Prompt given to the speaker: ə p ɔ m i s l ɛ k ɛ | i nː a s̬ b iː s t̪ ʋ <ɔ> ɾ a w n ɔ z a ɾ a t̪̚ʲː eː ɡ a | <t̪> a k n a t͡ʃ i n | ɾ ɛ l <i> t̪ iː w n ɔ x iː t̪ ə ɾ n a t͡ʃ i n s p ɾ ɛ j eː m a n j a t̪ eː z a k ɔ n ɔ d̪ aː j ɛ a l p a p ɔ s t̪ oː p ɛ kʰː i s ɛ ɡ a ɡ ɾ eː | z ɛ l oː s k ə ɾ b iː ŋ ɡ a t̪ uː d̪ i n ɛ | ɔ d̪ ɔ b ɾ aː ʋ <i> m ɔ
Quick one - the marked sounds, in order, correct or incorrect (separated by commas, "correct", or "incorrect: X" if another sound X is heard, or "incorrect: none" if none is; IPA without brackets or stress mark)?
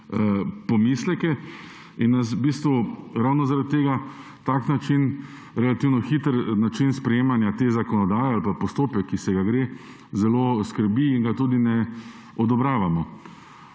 incorrect: u, correct, incorrect: a, incorrect: a